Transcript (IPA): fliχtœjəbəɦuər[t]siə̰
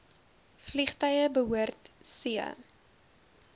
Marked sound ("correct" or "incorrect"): correct